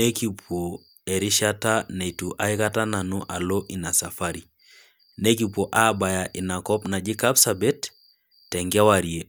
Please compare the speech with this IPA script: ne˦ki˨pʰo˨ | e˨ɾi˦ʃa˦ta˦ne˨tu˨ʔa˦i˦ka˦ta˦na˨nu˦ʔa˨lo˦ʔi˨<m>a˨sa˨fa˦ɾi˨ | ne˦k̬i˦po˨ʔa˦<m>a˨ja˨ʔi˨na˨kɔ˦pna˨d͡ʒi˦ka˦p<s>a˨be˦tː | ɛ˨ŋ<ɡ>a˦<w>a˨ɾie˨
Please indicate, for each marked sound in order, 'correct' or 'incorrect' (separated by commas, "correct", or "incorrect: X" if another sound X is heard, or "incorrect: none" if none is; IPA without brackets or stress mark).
incorrect: n, incorrect: b, correct, correct, correct